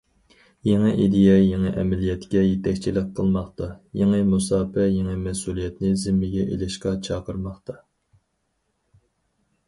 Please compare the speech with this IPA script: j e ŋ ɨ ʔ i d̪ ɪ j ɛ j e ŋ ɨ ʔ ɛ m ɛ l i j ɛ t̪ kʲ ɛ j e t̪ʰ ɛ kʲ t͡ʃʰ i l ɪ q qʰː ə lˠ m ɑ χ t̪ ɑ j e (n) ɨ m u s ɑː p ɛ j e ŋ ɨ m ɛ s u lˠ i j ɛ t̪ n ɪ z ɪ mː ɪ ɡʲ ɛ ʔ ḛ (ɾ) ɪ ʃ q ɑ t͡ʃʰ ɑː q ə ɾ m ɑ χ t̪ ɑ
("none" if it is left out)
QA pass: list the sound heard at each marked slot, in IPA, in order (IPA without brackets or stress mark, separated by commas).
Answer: ŋ, l